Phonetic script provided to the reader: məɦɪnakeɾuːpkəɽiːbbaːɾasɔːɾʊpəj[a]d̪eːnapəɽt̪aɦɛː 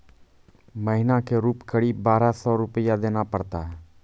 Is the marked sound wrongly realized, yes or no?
no